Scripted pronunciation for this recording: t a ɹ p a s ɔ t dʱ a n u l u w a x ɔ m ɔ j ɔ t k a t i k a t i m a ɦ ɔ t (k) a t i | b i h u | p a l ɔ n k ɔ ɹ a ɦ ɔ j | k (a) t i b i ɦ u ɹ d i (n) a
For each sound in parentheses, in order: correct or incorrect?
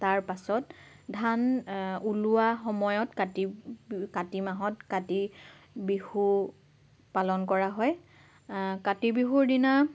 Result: correct, correct, correct

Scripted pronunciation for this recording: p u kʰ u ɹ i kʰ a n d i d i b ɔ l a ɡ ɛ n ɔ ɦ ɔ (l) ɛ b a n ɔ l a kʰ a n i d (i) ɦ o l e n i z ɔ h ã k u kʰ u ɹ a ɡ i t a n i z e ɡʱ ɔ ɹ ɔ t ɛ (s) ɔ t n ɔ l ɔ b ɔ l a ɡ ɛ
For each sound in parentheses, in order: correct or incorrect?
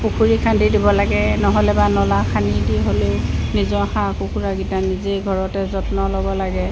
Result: correct, correct, incorrect

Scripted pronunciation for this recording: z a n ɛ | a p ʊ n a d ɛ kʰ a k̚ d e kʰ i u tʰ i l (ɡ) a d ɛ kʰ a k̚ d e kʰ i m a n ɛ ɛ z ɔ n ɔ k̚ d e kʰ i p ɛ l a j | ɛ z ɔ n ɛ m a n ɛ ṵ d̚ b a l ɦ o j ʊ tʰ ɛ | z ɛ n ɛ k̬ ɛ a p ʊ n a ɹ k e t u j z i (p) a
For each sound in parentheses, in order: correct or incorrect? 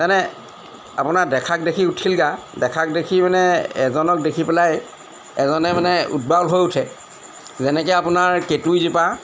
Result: correct, correct

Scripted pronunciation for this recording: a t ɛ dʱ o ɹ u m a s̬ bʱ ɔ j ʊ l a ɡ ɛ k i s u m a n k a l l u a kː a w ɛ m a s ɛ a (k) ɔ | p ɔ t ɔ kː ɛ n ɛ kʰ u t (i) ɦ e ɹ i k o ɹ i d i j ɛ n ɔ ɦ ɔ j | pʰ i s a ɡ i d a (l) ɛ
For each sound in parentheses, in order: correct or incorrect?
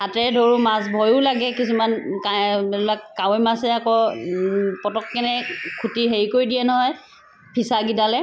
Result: correct, correct, correct

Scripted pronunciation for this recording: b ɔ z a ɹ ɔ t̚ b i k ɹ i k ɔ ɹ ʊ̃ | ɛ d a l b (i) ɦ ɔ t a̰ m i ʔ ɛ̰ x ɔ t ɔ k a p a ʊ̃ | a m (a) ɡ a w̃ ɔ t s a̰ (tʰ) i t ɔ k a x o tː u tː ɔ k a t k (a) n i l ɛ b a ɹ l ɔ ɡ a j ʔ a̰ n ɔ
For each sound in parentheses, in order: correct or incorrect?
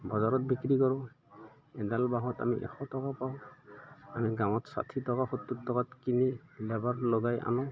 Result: incorrect, incorrect, correct, incorrect

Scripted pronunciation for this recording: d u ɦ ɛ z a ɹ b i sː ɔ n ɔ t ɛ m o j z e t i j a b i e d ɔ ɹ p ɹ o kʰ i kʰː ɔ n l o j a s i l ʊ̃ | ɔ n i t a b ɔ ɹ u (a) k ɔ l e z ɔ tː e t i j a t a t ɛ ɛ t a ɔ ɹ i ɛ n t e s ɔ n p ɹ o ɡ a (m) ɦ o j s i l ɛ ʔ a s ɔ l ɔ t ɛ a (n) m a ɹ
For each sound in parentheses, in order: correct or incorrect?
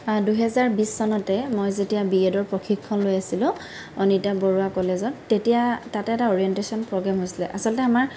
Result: correct, correct, incorrect

